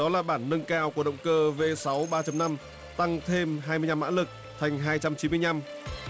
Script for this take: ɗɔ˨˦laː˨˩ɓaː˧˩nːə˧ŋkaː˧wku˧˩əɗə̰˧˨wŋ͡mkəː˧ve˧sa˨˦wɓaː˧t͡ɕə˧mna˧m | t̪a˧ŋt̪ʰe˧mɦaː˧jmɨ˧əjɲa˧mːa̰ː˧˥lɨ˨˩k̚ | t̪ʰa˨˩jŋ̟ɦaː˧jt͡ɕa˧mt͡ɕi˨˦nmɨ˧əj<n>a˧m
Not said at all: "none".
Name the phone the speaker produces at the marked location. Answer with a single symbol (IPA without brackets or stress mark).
ɲ